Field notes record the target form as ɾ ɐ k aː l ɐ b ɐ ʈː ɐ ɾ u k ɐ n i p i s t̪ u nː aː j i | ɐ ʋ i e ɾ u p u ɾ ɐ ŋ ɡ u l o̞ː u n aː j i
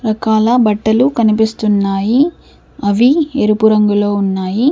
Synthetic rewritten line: ɾ ɐ k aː l ɐ b ɐ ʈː ɐ l u k ɐ n i p i s t̪ u nː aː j i | ɐ ʋ i e ɾ u p u ɾ ɐ ŋ ɡ u l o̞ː u nː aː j i